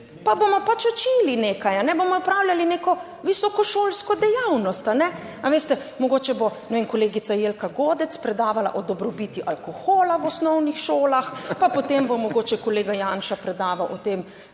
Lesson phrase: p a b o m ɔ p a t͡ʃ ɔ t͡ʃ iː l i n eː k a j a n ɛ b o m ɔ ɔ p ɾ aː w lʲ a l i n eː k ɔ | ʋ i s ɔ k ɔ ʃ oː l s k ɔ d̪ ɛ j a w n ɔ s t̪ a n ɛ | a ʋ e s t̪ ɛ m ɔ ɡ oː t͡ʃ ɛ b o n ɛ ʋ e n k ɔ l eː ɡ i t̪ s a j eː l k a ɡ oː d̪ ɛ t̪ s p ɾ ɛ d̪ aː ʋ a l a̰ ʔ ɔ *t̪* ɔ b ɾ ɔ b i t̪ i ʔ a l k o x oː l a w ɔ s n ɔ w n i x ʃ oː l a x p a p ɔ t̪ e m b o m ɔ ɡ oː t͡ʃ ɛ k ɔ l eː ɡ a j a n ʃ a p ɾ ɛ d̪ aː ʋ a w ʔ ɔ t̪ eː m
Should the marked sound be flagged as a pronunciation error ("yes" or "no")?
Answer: yes